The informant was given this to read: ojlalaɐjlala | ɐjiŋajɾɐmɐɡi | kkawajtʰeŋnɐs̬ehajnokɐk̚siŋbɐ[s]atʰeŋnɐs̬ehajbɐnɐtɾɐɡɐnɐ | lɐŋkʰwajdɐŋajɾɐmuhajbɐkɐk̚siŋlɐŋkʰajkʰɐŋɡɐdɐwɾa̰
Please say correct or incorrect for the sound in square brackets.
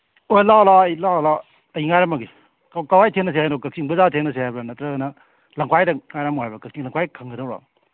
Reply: incorrect